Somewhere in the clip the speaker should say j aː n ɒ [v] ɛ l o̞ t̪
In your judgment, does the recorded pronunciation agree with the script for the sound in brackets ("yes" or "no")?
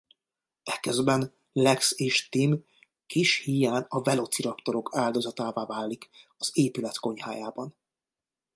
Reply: yes